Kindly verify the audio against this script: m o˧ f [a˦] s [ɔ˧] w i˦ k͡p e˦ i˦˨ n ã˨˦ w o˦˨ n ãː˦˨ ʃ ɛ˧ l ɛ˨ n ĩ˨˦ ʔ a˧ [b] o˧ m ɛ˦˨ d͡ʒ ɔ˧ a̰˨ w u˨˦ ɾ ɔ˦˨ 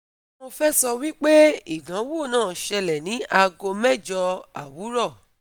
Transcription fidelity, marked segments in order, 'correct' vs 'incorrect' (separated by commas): incorrect, correct, incorrect